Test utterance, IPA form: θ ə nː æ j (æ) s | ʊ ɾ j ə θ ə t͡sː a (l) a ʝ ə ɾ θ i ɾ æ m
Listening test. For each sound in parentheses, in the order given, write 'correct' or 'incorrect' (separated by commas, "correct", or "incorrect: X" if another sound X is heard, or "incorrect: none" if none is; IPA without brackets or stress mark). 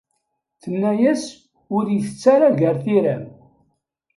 correct, incorrect: ɾ